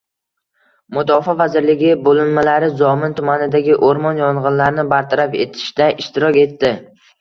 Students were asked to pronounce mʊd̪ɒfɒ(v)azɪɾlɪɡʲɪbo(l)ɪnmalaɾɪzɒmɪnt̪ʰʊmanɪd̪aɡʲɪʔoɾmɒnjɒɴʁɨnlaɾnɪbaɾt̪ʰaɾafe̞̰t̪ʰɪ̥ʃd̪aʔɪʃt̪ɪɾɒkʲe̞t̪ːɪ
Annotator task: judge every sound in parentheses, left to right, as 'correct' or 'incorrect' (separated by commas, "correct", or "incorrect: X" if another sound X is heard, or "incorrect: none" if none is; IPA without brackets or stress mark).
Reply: correct, correct